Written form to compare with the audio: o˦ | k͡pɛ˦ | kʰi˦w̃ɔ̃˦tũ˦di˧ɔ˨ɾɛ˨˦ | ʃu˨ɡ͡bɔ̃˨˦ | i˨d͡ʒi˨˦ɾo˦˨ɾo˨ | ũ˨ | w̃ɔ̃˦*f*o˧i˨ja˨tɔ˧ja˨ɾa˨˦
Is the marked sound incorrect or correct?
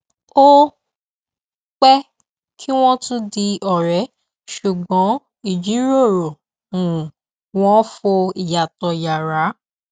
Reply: correct